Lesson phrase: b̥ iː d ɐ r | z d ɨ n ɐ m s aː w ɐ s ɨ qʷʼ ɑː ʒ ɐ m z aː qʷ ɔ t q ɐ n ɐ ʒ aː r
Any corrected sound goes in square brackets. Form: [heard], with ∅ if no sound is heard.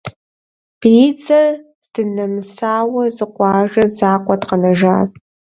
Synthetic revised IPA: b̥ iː [d͡z] ɐ r | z d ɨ n ɐ m s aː w ɐ [z] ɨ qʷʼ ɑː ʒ ɐ [∅] z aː qʷ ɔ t q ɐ n ɐ ʒ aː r